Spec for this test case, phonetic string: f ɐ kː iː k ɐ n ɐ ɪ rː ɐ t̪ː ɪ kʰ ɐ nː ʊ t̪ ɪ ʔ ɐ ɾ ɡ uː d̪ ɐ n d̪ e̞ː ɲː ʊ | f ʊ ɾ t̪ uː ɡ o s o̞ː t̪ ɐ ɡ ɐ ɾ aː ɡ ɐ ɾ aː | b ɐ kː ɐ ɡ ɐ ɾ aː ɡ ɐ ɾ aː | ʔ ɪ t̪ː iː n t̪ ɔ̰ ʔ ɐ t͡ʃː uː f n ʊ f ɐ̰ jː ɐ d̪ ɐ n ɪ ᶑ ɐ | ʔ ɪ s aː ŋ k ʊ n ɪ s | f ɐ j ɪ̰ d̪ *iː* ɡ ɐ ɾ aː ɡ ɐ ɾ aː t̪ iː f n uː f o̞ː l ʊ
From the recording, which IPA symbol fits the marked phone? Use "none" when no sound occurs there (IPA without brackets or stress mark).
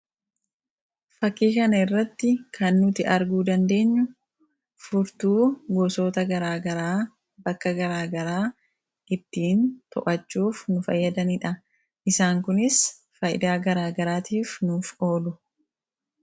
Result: aː